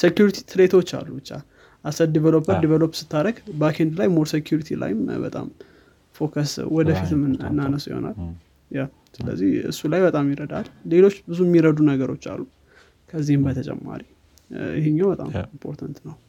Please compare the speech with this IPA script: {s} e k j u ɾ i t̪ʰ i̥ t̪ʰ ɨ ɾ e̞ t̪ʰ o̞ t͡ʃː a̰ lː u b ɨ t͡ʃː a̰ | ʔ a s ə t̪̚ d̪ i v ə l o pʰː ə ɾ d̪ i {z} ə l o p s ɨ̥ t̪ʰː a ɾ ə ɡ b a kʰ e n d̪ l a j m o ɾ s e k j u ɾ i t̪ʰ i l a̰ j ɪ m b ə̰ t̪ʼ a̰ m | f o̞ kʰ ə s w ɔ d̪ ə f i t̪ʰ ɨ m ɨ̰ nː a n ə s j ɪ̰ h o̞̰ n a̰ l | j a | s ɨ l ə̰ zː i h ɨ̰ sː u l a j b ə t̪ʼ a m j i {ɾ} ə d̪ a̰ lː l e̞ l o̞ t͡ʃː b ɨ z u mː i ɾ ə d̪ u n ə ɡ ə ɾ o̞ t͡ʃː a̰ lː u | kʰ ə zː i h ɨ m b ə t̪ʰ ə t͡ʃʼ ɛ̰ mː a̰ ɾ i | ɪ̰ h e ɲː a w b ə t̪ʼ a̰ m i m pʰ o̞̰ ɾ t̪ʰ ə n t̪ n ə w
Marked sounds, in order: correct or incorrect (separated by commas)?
correct, incorrect, correct